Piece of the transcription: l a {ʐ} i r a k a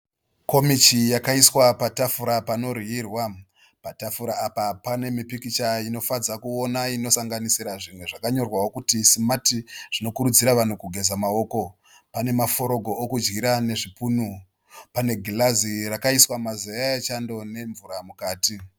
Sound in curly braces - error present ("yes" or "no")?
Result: yes